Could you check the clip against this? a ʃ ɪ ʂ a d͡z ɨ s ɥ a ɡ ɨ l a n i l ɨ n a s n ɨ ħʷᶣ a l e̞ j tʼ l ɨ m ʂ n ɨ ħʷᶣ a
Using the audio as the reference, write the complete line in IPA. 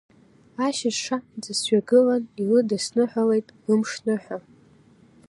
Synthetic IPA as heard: a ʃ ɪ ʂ a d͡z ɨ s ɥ a ɡ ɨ l a n i l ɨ d a s n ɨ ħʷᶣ a l e̞ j tʼ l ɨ m ʂ n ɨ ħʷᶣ a